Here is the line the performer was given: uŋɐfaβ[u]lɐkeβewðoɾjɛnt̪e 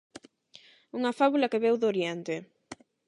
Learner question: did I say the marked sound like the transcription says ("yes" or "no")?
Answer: yes